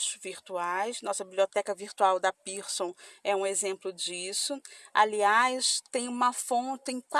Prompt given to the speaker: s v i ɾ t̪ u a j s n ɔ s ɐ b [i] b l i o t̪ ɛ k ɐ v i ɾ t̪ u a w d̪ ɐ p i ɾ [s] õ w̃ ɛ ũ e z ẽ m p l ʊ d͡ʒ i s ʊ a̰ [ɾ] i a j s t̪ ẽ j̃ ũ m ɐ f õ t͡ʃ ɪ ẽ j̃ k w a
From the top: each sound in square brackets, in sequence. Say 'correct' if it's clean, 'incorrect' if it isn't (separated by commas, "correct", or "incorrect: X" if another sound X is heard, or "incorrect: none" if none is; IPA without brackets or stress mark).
correct, correct, incorrect: l